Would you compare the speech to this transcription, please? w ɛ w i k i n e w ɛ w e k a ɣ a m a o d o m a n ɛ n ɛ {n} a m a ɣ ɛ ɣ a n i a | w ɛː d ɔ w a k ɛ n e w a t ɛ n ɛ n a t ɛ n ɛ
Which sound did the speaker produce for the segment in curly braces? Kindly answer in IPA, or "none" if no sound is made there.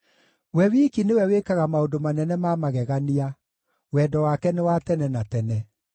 m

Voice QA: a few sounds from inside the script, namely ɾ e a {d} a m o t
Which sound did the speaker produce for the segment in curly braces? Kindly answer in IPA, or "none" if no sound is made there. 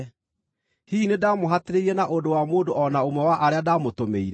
d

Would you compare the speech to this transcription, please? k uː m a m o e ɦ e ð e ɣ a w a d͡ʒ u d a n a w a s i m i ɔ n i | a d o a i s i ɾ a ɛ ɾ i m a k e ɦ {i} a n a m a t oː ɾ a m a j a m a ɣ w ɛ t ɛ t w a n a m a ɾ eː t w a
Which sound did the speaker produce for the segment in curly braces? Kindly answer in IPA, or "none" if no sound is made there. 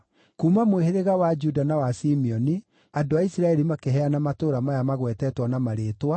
ɛ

